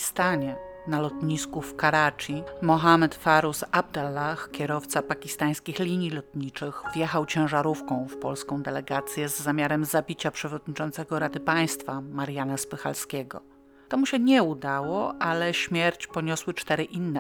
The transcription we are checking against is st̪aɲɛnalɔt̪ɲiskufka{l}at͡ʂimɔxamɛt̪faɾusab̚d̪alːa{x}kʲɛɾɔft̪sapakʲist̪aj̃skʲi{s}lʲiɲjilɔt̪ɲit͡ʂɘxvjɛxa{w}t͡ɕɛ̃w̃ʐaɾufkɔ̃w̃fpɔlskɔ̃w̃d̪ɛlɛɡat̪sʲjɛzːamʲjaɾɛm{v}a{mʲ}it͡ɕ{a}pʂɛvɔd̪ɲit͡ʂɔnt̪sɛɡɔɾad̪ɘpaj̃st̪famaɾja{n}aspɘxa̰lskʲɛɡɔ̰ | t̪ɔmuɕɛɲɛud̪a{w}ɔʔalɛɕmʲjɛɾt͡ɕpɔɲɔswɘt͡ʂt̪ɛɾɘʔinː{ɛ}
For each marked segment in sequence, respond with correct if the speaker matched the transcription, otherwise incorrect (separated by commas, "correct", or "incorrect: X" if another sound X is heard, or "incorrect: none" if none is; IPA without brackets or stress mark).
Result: incorrect: ɾ, correct, incorrect: x, correct, incorrect: z, incorrect: bʲ, correct, correct, correct, correct